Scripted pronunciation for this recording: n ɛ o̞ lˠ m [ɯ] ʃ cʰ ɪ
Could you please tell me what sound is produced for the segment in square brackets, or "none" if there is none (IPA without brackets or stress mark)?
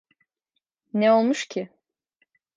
u